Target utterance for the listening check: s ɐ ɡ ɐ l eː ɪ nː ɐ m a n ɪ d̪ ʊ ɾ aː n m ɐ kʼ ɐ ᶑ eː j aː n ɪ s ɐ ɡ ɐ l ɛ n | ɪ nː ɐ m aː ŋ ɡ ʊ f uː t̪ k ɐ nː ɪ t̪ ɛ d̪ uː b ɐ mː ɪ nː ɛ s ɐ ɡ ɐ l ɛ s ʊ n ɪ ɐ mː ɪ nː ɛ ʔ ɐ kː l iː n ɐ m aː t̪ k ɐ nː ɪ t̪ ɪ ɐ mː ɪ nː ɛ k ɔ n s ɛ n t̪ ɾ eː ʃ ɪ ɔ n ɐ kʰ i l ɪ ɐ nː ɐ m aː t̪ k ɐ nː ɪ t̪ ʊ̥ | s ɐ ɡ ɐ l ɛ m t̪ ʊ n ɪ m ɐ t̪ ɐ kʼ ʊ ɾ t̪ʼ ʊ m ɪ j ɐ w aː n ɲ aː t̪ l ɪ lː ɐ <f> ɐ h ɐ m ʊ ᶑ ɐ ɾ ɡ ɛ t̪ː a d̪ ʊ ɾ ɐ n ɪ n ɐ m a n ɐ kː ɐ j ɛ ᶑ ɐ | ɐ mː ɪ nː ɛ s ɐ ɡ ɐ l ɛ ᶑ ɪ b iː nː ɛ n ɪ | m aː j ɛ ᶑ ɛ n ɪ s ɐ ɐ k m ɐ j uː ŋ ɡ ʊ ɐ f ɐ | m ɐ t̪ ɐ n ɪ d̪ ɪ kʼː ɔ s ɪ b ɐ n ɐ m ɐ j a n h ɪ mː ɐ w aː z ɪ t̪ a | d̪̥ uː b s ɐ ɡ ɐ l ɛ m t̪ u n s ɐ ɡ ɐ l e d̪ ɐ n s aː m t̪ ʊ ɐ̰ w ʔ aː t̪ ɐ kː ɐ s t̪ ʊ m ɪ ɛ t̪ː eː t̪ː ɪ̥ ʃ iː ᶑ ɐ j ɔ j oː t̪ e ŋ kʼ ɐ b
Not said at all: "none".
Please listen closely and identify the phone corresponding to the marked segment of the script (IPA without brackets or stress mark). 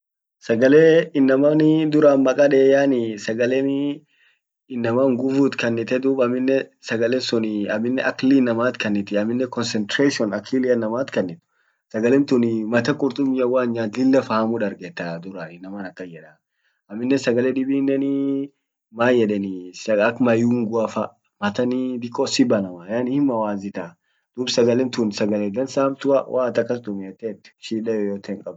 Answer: f